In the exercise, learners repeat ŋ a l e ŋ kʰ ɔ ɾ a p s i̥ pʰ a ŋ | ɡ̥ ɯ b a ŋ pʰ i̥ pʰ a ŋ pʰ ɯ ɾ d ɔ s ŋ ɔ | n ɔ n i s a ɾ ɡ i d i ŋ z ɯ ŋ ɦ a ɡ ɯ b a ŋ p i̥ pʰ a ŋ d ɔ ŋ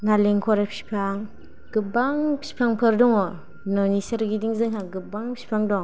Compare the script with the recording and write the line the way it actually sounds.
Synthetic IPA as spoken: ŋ a l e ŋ kʰ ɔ ɾ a p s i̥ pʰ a ŋ | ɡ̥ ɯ b a ŋ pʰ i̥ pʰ a ŋ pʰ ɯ ɾ d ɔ ŋ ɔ | n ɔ n i s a ɾ ɡ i d i ŋ z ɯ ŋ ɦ a ɡ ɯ b a ŋ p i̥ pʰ a ŋ d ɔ ŋ

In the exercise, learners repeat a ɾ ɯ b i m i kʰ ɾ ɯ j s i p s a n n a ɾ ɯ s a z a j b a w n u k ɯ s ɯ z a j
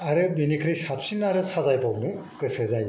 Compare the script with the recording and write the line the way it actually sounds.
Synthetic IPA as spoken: a ɾ ɯ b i n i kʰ ɾ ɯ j s a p s i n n a ɾ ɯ s a z a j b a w n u k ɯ s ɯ z a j

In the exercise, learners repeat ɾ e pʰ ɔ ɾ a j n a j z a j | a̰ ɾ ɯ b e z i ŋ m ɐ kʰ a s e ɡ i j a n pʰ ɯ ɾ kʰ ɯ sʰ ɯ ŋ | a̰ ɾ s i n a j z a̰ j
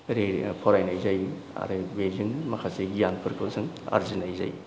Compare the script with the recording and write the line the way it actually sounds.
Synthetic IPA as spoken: ɾ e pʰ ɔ ɾ a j n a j z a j | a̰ ɾ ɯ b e z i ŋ m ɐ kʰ a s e ɡ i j a n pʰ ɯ ɾ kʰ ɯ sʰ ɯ ŋ | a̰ ɾ z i n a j z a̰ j

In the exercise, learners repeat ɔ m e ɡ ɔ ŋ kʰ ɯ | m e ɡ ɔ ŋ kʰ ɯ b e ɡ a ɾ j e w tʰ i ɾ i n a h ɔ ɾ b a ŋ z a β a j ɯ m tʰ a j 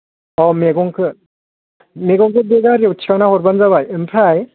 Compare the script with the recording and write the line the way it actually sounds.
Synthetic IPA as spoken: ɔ m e ɡ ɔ ŋ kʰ ɯ | m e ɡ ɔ ŋ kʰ ɯ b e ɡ a ɾ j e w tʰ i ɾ a n a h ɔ ɾ b a n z a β a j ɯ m pʰ a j

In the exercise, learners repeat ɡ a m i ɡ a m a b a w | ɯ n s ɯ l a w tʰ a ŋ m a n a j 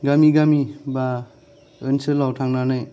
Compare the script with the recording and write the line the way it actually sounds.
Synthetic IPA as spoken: ɡ a m i ɡ a m i b a | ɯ n s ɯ l a w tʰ a ŋ n a n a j

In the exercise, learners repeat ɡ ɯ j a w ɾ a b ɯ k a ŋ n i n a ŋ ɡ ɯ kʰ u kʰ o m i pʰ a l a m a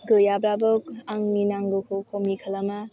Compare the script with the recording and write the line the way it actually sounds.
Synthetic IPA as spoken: ɡ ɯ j a b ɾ a b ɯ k a ŋ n i n a ŋ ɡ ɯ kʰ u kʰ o m i kʰ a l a m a

